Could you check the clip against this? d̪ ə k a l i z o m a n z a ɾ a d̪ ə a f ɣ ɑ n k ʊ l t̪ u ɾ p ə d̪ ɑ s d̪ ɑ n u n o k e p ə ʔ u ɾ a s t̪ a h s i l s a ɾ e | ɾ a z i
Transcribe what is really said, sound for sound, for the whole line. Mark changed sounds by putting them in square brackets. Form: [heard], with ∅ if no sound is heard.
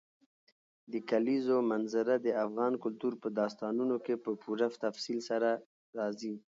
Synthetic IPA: d̪ ə k a l i z o m a n z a ɾ a d̪ ə a f ɣ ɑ n k ʊ l t̪ u ɾ p ə d̪ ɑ s [t̪] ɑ n u n o k e p ə [p] u ɾ a [f] t̪ a [f] s i l s a ɾ [a] | ɾ [ɑ] z i